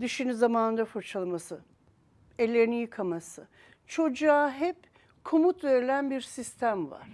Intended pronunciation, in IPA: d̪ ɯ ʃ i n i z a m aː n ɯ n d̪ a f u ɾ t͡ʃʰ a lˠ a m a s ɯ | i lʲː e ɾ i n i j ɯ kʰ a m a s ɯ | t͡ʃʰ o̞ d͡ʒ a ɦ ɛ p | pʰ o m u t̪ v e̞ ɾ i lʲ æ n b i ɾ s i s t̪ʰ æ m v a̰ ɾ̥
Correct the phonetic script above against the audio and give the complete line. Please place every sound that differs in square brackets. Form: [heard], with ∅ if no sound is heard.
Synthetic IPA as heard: d̪ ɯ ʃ i n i z a m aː n ɯ n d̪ a f u ɾ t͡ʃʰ a lˠ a m a s ɯ | [e] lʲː e ɾ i n i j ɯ kʰ a m a s ɯ | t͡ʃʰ o̞ d͡ʒ a ɦ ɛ p | [kʰ] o m u t̪ v e̞ ɾ i lʲ æ n b i ɾ s i s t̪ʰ æ m v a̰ ɾ̥

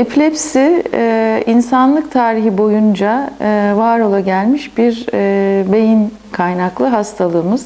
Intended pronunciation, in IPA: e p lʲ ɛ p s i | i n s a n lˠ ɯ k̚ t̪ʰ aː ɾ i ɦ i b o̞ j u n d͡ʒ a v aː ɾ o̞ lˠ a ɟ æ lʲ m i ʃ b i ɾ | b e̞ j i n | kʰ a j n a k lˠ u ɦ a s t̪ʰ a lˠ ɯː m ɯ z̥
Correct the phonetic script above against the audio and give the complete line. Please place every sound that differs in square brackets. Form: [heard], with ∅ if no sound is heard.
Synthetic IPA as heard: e p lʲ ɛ p s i | i n s a n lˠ ɯ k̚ t̪ʰ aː ɾ i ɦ i b o̞ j u n d͡ʒ a v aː ɾ o̞ lˠ a ɟ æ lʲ m i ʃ b i ɾ | b e̞ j i n | kʰ a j n a k lˠ [ɯ] ɦ a s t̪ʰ a lˠ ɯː m ɯ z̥

